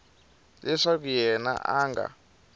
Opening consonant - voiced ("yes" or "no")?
yes